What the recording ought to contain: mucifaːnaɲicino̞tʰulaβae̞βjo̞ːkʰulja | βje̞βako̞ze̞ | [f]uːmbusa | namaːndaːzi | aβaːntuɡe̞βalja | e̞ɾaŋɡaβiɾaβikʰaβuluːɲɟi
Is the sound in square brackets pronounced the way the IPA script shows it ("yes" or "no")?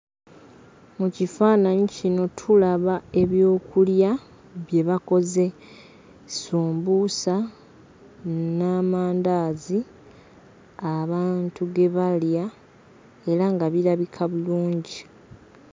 no